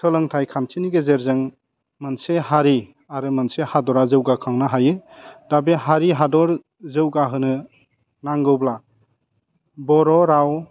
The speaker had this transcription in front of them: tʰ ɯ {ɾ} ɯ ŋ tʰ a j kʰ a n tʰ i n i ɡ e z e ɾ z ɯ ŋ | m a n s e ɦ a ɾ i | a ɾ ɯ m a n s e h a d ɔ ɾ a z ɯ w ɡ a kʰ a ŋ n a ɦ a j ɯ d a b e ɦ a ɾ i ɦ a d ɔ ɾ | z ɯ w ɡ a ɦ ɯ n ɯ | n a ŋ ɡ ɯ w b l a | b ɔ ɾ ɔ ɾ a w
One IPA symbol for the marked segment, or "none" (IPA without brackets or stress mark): l